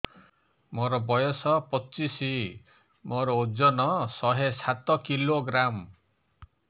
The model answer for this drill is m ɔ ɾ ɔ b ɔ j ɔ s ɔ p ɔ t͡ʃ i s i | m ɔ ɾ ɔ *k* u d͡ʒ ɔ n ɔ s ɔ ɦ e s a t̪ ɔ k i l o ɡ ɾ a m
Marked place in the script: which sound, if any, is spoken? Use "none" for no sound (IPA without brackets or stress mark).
none